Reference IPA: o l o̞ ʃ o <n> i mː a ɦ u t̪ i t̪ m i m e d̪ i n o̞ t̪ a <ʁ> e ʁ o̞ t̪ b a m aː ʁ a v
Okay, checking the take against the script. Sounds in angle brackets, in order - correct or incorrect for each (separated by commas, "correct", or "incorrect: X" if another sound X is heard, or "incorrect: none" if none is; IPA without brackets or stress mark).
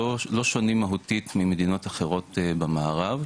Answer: correct, incorrect: χ